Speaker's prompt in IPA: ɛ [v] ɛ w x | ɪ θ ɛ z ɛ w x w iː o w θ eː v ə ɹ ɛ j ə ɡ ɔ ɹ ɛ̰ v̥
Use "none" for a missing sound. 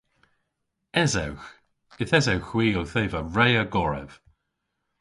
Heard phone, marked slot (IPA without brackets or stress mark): z